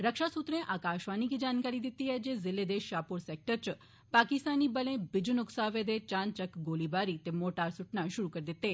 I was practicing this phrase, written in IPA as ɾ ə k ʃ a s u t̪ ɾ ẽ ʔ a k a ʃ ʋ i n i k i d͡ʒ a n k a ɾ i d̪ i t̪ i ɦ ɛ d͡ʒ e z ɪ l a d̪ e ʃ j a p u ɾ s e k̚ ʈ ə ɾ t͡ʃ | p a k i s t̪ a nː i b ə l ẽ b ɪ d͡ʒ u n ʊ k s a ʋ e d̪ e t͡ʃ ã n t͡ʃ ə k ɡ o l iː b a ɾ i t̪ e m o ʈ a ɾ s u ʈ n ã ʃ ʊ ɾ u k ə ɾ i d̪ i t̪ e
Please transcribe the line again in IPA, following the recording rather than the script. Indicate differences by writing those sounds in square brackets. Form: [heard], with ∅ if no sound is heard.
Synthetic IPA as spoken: ɾ ə k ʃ a s u t̪ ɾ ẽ ʔ a k a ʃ ʋ [a] n i k i d͡ʒ a n k a ɾ i d̪ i t̪ i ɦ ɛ d͡ʒ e z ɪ l [e] d̪ e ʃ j a p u ɾ s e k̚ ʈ ə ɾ t͡ʃ | p a k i s t̪ a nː i b ə l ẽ b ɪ d͡ʒ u n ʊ k s a ʋ e d̪ e t͡ʃ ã n t͡ʃ ə k ɡ o l [i] b a ɾ i t̪ e m o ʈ a ɾ s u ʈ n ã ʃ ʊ ɾ u k ə ɾ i d̪ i t̪ e